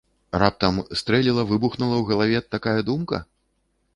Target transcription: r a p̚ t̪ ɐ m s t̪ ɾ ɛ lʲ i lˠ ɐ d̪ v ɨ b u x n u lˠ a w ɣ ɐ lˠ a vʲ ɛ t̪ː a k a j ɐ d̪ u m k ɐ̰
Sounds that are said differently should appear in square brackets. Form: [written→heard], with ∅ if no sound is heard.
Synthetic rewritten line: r a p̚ t̪ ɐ m s t̪ ɾ ɛ lʲ i lˠ ɐ [d̪→∅] v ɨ b u x n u lˠ [a→ɐ] w ɣ ɐ lˠ a vʲ ɛ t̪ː a k a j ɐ d̪ u m k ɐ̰